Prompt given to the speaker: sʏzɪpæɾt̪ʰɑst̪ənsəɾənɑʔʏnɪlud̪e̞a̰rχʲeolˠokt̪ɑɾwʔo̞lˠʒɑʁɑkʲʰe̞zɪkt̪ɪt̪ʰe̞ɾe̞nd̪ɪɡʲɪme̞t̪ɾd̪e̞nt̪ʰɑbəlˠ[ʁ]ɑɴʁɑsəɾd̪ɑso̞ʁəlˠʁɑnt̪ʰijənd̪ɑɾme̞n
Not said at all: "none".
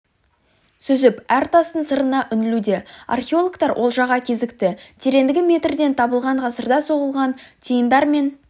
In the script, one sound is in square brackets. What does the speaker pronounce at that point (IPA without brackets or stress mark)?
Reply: ʁ